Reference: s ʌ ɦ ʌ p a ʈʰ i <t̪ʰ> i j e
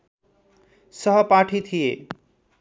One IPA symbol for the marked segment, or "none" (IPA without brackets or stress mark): t̪ʰ